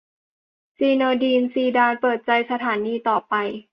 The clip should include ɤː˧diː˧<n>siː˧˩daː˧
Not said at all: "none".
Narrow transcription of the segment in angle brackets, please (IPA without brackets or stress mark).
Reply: n